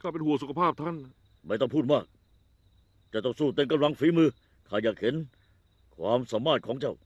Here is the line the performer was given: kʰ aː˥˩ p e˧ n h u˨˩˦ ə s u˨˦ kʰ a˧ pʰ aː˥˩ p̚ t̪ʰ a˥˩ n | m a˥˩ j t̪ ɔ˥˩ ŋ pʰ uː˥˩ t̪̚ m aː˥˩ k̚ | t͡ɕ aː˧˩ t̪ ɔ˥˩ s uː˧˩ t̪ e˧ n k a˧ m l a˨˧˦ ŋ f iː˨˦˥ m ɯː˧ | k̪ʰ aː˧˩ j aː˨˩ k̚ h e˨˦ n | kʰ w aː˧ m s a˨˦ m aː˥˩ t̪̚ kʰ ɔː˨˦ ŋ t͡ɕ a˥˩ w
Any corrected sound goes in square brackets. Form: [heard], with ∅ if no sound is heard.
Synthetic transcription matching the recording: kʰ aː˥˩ p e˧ n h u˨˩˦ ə s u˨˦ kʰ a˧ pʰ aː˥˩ p̚ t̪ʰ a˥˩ n | m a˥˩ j t̪ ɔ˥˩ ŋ pʰ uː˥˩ t̪̚ m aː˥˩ k̚ | t͡ɕ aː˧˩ t̪ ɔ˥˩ s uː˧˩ t̪ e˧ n k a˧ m l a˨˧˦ ŋ f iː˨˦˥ m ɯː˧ | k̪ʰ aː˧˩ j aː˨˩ k̚ h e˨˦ n | kʰ w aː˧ m s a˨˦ m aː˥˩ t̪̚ kʰ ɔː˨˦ ŋ t͡ɕ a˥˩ w